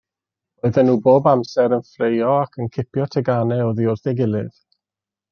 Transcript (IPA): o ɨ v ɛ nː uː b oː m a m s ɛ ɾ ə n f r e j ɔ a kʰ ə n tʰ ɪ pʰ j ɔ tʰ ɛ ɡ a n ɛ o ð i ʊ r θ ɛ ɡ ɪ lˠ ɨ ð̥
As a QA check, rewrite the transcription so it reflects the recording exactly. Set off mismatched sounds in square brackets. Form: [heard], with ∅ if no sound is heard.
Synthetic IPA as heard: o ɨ [ð] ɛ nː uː b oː [b] a m s ɛ ɾ ə n f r e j ɔ a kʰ ə n [kʰ] ɪ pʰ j ɔ tʰ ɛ ɡ a n ɛ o ð i ʊ r θ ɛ ɡ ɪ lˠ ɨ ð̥